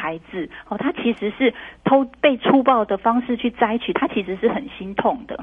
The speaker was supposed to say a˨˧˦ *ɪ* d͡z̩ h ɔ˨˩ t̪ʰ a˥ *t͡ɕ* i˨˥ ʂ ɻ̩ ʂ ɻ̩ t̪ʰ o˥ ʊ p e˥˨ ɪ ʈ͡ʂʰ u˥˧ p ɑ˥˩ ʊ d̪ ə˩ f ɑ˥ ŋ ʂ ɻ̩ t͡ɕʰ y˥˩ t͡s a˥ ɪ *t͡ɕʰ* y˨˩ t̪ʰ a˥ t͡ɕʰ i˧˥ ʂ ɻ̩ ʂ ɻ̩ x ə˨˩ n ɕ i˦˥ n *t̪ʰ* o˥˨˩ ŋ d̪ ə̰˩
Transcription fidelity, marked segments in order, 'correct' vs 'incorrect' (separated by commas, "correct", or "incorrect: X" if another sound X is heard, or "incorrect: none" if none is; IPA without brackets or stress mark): correct, incorrect: t͡ɕʰ, correct, correct